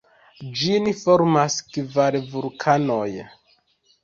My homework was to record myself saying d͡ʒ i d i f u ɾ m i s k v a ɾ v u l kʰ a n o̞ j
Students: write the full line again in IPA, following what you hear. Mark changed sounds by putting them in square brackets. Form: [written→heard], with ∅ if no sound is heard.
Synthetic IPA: d͡ʒ i [d→n] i f [u→o] ɾ m [i→a] s k v a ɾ v u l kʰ a n o̞ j